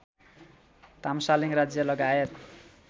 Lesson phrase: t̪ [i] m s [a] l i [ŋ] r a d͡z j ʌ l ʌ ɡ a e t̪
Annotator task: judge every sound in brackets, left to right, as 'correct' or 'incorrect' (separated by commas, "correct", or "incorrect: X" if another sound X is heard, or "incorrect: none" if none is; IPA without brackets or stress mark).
incorrect: a, correct, correct